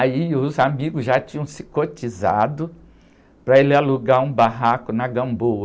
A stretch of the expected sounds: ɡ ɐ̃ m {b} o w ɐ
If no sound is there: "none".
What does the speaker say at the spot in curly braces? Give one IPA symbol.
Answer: b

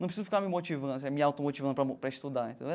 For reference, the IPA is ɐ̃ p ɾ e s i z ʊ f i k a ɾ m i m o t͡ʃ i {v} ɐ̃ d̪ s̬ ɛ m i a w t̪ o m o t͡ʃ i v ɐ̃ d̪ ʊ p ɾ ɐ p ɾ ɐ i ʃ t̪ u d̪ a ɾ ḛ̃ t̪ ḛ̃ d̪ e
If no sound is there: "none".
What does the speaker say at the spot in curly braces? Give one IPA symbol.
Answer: v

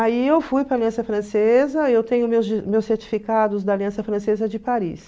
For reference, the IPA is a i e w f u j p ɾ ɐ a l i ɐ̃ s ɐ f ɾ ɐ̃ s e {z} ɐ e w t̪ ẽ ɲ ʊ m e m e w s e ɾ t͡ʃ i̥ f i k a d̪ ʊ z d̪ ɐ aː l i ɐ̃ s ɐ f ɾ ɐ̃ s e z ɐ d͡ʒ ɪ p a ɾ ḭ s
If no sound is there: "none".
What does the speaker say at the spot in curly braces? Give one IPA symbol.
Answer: z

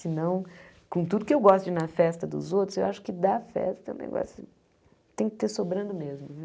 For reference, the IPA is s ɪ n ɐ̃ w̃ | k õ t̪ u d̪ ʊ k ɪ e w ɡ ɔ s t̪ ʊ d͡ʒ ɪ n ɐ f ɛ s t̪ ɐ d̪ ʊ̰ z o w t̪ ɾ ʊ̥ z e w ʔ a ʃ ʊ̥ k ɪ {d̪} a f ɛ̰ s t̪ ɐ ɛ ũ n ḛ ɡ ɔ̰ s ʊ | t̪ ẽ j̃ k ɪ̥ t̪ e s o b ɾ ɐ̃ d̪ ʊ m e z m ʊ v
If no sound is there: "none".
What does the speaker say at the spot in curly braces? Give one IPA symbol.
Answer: d̪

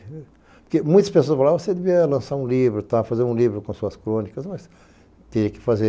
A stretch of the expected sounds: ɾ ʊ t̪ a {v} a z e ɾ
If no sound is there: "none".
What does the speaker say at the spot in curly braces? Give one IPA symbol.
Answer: f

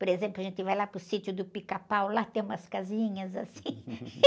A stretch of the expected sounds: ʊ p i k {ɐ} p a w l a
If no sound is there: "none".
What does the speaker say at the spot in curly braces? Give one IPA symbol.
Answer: a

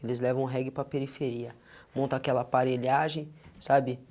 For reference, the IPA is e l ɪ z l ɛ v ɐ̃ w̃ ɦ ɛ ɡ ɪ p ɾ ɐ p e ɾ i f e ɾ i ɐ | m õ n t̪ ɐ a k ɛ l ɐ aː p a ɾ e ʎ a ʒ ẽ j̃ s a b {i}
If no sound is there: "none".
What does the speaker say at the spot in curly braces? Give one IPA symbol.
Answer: ɪ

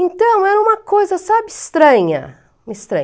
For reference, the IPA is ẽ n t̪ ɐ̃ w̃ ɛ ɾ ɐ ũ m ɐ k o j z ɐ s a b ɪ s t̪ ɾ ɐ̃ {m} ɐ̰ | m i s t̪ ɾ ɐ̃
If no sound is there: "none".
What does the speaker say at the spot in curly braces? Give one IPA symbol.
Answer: ɲ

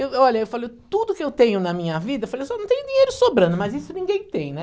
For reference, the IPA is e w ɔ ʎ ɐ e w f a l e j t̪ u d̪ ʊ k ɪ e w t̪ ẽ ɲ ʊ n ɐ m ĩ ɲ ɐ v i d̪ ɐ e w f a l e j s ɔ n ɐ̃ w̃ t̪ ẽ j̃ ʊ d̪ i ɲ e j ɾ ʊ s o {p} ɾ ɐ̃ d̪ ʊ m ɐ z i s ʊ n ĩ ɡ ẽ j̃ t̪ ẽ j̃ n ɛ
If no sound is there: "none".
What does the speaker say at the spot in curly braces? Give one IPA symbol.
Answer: b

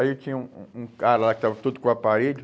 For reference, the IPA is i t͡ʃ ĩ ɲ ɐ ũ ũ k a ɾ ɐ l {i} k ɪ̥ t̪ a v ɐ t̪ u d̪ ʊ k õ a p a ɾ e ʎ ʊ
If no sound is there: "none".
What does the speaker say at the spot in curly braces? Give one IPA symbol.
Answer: a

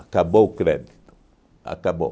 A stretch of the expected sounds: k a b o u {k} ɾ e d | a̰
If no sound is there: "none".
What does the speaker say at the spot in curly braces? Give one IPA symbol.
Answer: k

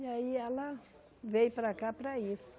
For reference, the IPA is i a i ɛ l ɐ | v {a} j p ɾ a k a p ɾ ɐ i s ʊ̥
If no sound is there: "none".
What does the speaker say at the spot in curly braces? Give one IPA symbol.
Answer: e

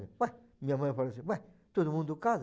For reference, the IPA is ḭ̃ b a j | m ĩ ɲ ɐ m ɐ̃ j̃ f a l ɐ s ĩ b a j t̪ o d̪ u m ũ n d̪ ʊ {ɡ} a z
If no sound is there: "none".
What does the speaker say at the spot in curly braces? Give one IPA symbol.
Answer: k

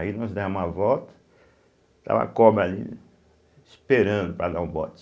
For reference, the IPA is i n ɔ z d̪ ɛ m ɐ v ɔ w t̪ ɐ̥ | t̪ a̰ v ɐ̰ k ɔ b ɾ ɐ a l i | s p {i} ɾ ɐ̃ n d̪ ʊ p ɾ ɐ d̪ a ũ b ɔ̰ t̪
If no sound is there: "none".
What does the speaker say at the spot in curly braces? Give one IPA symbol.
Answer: e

